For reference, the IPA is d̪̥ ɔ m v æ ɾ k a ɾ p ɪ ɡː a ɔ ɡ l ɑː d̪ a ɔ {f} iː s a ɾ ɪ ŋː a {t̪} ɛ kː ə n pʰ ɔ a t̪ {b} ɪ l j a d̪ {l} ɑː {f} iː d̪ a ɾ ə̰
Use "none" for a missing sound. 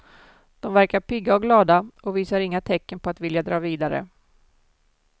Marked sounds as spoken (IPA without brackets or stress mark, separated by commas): v, t̪ʰ, v, ɾ, v